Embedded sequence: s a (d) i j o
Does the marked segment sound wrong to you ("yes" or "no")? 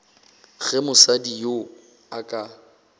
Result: no